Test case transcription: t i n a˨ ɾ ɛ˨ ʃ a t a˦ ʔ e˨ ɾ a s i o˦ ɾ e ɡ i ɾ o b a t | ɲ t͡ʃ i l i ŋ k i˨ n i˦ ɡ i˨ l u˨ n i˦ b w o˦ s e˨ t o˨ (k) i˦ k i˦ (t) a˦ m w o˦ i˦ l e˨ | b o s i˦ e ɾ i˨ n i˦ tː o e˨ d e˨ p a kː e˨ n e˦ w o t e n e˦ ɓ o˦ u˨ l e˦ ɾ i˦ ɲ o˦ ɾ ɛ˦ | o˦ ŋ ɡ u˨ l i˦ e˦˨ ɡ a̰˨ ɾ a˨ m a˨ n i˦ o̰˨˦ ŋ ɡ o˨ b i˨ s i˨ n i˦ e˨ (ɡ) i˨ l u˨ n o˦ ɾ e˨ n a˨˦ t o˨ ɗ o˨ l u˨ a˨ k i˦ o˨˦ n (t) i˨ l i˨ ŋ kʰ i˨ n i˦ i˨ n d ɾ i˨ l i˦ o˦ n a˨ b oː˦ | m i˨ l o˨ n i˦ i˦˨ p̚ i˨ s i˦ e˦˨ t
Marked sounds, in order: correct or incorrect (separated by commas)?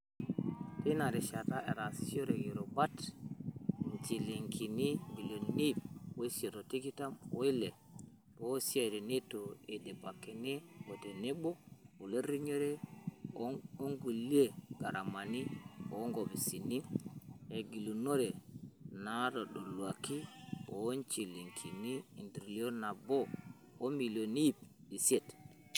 incorrect, correct, correct, incorrect